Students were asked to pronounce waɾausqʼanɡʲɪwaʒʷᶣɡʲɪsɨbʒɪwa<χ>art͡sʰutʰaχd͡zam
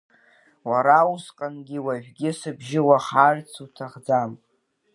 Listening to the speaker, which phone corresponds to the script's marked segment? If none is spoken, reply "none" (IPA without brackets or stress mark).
χ